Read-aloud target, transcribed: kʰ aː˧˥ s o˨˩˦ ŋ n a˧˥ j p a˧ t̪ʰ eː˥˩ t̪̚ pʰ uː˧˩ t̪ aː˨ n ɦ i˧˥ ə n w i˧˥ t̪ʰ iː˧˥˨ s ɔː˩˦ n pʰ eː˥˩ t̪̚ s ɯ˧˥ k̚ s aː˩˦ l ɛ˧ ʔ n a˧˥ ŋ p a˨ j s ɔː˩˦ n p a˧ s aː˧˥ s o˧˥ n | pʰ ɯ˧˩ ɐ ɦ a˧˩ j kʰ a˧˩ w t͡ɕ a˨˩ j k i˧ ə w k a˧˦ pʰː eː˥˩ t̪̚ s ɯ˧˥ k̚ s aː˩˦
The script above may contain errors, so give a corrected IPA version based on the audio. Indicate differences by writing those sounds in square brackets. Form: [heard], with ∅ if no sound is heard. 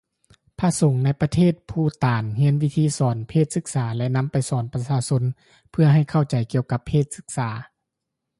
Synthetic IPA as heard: [pʰ] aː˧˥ s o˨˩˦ ŋ n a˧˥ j p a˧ t̪ʰ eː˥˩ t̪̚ pʰ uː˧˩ t̪ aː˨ n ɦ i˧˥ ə n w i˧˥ t̪ʰ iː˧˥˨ s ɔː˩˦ n pʰ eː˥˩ t̪̚ s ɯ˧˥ k̚ s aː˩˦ l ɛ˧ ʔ n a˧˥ [m] p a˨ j s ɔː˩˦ n p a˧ s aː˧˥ s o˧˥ n | pʰ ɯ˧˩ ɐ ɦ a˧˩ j kʰ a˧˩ w t͡ɕ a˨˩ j k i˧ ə w k a˧˦ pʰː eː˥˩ t̪̚ s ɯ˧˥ k̚ s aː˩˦